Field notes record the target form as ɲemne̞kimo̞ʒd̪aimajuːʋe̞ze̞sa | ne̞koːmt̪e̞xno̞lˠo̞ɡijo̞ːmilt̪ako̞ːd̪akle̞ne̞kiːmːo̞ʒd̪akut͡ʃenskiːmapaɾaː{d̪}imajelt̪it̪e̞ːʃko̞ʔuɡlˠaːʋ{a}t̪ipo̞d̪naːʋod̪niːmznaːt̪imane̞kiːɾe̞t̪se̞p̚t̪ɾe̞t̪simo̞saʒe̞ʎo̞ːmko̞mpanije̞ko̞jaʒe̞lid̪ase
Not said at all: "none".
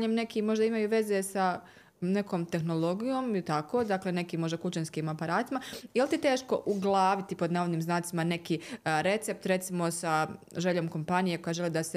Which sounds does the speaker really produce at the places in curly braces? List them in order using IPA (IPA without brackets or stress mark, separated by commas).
t̪, i